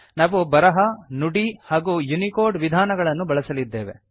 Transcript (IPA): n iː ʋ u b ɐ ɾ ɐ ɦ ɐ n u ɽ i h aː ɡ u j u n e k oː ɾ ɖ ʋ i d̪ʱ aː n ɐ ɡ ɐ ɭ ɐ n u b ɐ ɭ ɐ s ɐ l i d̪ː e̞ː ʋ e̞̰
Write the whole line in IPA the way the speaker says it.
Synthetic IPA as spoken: n aː ʋ u b ɐ ɾ ɐ ɦ ɐ n u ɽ i h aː ɡ u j u n i k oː ɾ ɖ ʋ i d̪ʱ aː n ɐ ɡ ɐ ɭ ɐ nː u b ɐ ɭ ɐ s ɐ l i d̪ː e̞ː ʋ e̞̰